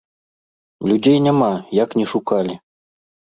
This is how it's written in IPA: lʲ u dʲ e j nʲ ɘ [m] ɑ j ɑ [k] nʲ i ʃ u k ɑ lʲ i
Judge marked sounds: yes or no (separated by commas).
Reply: yes, yes